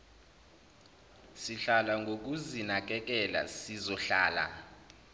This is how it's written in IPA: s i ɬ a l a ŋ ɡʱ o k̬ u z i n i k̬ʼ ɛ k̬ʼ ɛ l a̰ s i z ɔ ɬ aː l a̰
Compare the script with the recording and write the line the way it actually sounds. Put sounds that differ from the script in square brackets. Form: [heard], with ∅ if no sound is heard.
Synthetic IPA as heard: s i ɬ a l a ŋ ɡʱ o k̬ u z i n [a] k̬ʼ ɛ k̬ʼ ɛ l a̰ s i z ɔ ɬ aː l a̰